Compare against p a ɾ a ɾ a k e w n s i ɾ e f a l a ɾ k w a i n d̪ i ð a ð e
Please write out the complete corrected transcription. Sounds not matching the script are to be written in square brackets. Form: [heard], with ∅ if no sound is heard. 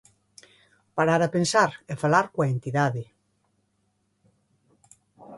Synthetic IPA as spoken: p a ɾ a ɾ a [p] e [∅] n s [a] ɾ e f a l a ɾ k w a [e] n [t̪] i ð a ð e